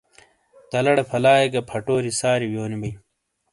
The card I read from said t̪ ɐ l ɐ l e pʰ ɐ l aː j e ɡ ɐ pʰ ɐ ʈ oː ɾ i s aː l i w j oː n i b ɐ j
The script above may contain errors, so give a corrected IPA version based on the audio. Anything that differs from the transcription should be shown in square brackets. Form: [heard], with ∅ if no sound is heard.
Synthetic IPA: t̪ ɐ l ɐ [ɽ] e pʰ ɐ l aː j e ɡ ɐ pʰ ɐ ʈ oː ɾ i s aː [ɾ] i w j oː n i b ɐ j